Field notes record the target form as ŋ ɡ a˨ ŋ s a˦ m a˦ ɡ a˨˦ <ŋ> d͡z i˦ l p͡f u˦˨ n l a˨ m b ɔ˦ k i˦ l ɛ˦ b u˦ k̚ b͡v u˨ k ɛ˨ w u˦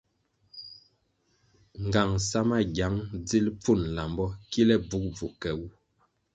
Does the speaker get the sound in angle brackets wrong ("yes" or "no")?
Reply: no